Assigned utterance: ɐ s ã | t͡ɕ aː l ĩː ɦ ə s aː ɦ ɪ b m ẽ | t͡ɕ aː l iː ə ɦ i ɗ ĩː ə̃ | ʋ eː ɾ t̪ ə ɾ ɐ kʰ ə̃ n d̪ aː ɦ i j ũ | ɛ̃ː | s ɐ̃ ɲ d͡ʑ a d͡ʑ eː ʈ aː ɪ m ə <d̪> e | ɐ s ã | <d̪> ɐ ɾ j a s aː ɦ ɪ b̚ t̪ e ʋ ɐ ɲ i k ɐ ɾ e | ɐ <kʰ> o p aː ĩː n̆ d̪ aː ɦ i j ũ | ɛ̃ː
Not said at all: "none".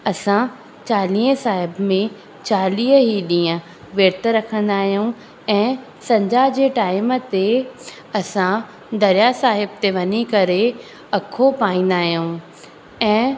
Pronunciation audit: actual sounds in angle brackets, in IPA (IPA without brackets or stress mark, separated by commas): t̪, d̪, kʰ